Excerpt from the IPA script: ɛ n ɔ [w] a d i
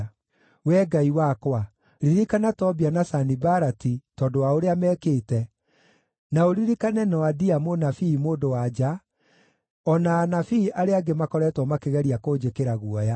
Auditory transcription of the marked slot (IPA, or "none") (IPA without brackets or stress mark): w